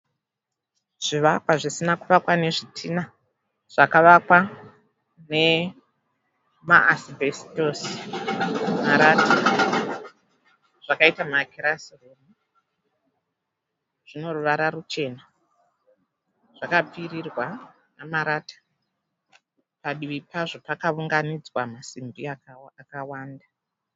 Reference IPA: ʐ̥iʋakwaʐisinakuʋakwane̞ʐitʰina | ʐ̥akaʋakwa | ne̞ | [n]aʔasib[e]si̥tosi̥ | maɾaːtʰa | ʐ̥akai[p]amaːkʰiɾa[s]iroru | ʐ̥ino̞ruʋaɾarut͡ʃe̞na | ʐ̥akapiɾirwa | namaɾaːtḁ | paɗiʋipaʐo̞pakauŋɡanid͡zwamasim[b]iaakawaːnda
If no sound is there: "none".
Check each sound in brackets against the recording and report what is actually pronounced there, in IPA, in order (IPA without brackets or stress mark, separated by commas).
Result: m, e, t, s, b